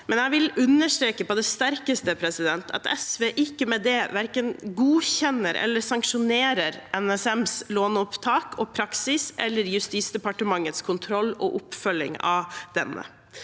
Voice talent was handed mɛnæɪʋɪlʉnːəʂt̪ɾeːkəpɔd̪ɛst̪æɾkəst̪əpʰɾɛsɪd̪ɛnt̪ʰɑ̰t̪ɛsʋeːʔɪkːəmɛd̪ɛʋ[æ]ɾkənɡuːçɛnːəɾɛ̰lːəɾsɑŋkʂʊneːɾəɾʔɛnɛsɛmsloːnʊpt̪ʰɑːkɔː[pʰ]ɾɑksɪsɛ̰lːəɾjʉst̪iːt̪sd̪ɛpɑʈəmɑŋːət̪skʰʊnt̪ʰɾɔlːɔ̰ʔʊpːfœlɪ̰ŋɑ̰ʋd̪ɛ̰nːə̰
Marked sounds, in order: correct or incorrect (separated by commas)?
correct, correct